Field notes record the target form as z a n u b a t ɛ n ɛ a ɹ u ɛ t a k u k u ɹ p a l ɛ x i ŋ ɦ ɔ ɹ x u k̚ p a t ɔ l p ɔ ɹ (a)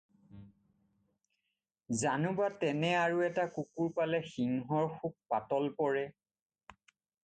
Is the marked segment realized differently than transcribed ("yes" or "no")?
yes